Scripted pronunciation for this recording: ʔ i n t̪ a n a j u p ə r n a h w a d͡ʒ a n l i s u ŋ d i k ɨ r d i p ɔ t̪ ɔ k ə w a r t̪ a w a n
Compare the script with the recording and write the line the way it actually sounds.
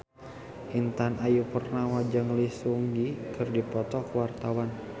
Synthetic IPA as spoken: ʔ i n t̪ a n a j u p ə r n a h w a d͡ʒ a ŋ l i s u ŋ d i k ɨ r d i p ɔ t̪ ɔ k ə w a r t̪ a w a n